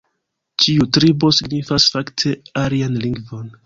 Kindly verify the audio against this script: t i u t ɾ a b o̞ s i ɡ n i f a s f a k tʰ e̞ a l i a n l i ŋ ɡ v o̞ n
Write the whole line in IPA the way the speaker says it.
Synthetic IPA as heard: t͡ʃ i u t ɾ i b o̞ s i ɡ n i f a s f a k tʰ e̞ a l i a n l i ŋ ɡ v o̞ n

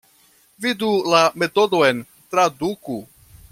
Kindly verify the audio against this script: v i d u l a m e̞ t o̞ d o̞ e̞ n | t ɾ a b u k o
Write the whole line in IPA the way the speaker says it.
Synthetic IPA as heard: v i d u l a m e̞ t o̞ d o̞ e̞ n | t ɾ a d u k u

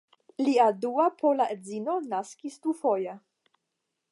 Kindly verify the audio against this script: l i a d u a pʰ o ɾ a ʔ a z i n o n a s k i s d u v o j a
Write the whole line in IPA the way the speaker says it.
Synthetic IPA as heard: l i a d u a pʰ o l a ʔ e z i n o n a s k i s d u f o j a

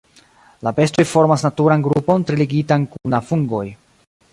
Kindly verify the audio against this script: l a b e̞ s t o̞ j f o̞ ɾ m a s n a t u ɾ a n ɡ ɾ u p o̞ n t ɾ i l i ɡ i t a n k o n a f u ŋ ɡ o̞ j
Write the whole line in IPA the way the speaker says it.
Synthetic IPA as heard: l a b e̞ s t o̞ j f o̞ ɾ m a s n a t u ɾ a n ɡ ɾ u p o̞ n t ɾ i l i ɡ i t a n k u n a f u ŋ ɡ o̞ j

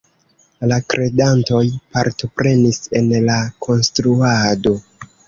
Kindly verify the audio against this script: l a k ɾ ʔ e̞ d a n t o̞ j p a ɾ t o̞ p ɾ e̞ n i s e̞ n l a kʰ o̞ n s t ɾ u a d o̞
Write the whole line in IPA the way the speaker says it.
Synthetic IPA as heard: l a k ɾ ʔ e̞ d a n t o̞ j p a ɾ t o̞ p ɾ e̞ n i s e̞ n l a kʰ o̞ n s t ɾ u a d o̞

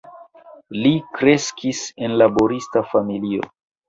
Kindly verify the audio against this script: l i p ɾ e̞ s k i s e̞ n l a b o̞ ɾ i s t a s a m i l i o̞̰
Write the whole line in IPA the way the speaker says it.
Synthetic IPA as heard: l i k ɾ e̞ s k i s e̞ n l a b o̞ ɾ i s t a f a m i l i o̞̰

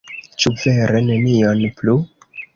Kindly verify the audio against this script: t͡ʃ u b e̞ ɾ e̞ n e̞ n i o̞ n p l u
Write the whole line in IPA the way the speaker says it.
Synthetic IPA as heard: t͡ʃ u v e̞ ɾ e̞ n e̞ n i o̞ n p l u

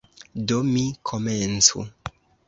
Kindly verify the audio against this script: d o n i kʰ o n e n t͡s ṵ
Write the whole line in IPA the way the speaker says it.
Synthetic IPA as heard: d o m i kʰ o m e n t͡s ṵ

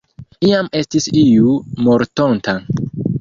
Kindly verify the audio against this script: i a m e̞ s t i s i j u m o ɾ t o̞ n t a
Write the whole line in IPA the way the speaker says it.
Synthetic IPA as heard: i a m e̞ s t i s i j u m o ɾ t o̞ n t a

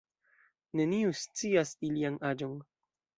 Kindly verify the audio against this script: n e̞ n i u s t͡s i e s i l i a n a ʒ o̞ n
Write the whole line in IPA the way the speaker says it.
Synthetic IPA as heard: n e̞ n i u s t͡s i a s i l i a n a d͡ʒ o̞ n

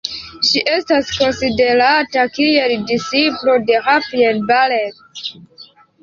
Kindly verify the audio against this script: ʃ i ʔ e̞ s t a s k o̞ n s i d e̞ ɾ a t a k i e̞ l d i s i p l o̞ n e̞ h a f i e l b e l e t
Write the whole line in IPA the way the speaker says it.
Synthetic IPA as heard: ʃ i ʔ e̞ s t a s k o̞ n s i d e̞ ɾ a t a k i e̞ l d i s i p l o̞ d e̞ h a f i e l b a l e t

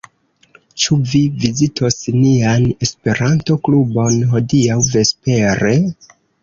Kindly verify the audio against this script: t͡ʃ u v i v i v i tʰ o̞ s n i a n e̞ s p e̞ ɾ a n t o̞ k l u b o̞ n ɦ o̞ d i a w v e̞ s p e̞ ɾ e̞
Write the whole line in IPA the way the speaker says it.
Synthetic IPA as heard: t͡ʃ u v i v i z i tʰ o̞ s n i a n e̞ s p e̞ ɾ a n t o̞ k l u b o̞ n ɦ o̞ d i a w v e̞ s p e̞ ɾ e̞

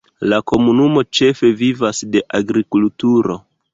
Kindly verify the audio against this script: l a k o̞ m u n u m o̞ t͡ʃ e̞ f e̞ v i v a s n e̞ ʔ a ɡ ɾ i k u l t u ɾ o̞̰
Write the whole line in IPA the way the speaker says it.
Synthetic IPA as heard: l a k o̞ m u n u m o̞ t͡ʃ e̞ f e̞ v i v a s d e̞ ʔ a ɡ ɾ i k u l t u ɾ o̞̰

